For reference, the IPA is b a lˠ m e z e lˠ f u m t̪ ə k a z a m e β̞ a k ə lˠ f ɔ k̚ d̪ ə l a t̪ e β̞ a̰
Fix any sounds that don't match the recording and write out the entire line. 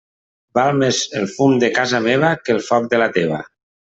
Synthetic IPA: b a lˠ m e z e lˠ f u m d̪ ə k a z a m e β̞ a k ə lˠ f ɔ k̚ d̪ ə l a t̪ e β̞ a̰